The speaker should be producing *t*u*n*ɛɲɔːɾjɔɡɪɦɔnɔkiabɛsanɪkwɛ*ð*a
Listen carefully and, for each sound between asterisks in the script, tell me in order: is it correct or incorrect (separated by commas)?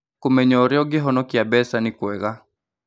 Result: incorrect, incorrect, incorrect